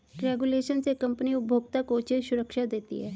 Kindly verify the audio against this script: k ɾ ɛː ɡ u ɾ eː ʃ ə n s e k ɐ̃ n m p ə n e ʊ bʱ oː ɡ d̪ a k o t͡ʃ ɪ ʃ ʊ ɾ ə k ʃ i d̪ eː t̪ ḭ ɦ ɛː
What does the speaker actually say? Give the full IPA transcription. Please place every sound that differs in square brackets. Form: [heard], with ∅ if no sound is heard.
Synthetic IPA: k ɾ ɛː ɡ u [l] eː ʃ ə n s e k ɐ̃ [∅] m p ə n [i] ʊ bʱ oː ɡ [t̪] a k o t͡ʃ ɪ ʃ ʊ ɾ ə k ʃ [a] d̪ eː t̪ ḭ ɦ ɛː